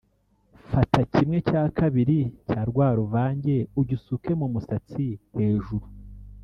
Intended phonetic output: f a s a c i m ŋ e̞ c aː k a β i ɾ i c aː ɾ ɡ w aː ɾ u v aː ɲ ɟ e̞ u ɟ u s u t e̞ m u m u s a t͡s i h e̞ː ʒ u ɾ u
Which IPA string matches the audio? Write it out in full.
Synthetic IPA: f a t a c i m ŋ e̞ c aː k a β i ɾ i c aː ɾ ɡ w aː ɾ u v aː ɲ ɟ e̞ u ɟ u s u k e̞ m u m u s a t͡s i h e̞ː ʒ u ɾ u